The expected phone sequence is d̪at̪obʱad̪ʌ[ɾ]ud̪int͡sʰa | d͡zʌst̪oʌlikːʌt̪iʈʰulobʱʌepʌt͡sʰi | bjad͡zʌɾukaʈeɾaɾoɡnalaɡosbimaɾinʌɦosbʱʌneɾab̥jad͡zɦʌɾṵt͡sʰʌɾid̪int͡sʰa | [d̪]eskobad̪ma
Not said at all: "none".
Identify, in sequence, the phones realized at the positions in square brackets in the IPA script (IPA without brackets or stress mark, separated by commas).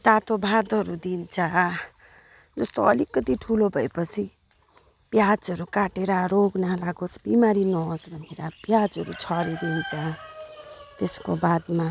ɾ, t̪